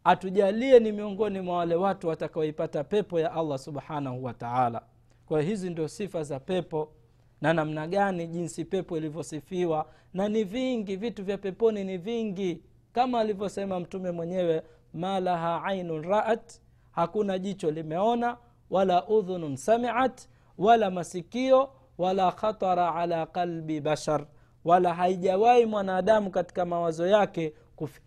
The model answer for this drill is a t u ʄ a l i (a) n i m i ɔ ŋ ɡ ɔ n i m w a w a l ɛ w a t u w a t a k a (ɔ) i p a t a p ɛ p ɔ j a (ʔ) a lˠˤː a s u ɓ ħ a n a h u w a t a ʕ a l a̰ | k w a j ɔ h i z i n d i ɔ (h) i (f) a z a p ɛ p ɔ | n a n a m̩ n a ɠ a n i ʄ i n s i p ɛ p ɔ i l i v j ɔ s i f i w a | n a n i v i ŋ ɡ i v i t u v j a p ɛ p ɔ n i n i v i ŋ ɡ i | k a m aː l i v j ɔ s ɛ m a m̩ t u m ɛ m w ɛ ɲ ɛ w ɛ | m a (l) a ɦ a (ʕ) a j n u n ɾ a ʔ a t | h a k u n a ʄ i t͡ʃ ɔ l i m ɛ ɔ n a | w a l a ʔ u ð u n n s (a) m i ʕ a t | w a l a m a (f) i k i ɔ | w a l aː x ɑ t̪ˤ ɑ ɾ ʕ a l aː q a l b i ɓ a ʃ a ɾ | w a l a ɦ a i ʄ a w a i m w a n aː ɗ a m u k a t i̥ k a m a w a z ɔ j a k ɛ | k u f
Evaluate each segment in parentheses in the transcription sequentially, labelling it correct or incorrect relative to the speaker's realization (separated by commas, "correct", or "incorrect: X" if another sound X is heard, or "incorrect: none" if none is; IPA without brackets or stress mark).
incorrect: ɛ, correct, correct, incorrect: s, correct, correct, correct, correct, incorrect: s